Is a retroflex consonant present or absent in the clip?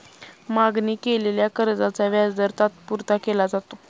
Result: absent